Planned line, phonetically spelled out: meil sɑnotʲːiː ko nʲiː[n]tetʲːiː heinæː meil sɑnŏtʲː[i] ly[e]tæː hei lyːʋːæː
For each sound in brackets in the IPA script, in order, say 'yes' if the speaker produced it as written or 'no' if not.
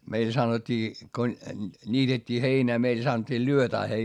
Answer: no, no, no

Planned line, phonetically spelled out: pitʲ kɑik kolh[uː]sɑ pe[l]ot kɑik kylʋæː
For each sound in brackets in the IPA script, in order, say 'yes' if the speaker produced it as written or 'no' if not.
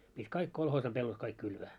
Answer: no, no

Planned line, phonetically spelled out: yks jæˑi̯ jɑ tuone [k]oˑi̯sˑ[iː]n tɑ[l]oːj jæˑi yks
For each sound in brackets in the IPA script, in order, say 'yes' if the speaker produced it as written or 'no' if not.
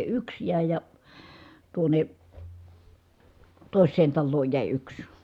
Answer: no, no, no

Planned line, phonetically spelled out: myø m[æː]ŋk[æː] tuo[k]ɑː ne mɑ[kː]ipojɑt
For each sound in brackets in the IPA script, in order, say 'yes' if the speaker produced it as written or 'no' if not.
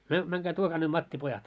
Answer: no, yes, yes, no

